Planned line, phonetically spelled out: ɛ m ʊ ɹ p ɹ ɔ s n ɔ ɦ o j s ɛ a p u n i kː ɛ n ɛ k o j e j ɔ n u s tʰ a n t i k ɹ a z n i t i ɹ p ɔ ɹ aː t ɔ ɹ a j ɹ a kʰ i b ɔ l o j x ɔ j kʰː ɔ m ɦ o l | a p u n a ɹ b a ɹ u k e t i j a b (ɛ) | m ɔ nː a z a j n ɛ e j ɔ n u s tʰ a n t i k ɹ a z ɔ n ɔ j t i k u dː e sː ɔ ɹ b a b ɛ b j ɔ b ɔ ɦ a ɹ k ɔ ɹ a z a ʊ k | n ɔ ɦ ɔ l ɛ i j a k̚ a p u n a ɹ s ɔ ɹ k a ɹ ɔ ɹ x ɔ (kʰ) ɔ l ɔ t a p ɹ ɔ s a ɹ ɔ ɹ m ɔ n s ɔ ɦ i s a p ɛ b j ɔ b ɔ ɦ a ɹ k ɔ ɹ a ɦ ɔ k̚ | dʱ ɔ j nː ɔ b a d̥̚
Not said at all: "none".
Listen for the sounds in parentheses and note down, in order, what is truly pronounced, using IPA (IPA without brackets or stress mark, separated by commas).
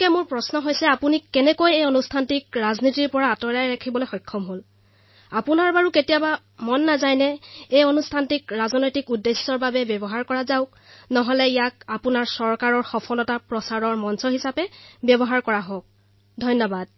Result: a, pʰ